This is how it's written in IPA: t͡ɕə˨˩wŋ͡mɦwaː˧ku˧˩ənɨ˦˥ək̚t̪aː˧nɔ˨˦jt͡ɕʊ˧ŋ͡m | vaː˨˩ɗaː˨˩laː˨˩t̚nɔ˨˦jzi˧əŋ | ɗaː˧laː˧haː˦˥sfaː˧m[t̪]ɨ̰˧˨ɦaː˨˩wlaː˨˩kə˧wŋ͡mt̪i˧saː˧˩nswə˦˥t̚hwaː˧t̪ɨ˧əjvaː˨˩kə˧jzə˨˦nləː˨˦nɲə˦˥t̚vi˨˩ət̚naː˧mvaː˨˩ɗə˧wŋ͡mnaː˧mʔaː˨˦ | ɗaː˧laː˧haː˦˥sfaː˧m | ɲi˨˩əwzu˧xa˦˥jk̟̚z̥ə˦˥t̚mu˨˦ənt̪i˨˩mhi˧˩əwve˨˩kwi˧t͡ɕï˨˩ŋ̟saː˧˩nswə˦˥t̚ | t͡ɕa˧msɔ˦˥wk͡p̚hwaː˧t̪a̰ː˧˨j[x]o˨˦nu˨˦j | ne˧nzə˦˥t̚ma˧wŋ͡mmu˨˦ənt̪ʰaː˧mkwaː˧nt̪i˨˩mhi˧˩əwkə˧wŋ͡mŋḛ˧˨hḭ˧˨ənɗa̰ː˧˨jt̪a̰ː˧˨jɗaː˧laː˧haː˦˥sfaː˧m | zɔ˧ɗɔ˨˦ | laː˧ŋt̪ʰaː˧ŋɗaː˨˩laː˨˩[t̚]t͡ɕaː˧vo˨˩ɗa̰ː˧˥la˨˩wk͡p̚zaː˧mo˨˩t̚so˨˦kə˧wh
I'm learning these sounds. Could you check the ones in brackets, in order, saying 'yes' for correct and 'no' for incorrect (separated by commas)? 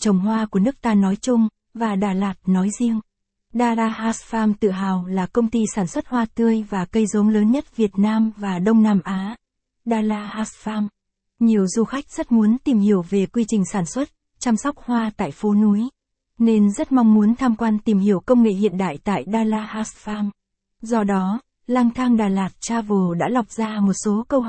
yes, no, yes